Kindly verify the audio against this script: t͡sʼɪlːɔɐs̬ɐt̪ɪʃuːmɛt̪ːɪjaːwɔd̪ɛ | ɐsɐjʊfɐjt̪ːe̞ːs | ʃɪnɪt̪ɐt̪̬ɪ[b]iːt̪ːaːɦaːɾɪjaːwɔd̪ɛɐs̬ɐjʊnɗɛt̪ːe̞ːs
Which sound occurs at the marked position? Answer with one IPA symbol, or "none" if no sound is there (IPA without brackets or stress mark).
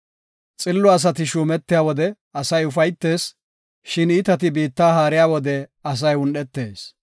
b